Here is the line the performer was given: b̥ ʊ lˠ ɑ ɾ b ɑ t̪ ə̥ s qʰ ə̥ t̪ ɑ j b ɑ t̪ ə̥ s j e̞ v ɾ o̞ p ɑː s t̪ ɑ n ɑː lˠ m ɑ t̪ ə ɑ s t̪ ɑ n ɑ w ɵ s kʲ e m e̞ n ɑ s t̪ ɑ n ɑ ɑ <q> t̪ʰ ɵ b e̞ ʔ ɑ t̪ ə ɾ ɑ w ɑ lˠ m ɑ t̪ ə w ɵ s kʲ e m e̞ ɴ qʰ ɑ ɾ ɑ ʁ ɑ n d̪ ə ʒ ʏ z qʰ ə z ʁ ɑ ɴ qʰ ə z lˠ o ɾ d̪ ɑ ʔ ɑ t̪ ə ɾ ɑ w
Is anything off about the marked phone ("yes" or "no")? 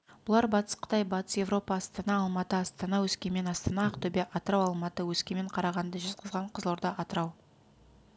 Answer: no